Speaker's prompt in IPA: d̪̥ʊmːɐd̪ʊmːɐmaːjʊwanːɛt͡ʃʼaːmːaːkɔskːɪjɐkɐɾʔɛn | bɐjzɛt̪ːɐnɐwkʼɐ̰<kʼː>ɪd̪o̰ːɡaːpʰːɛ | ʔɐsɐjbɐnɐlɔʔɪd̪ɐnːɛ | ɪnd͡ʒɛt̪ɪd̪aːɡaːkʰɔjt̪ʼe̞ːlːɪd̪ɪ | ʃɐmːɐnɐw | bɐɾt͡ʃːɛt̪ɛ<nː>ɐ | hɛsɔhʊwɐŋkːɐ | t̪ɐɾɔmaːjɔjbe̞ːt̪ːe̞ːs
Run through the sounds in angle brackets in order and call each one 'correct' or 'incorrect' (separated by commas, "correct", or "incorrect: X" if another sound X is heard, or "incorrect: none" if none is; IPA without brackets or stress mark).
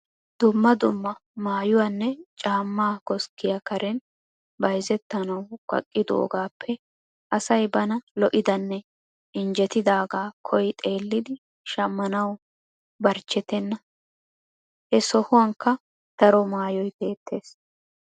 correct, correct